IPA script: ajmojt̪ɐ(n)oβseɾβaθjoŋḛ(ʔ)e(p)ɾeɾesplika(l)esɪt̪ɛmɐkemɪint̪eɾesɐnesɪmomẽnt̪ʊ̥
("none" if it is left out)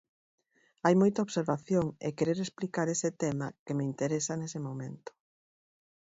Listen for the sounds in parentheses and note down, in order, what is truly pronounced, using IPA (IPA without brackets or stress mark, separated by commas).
none, k, none, ɾ